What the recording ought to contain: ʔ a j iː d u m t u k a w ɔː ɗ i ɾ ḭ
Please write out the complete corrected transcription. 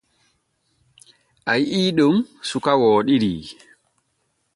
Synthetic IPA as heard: ʔ a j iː ɗ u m s u k a w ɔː ɗ i ɾ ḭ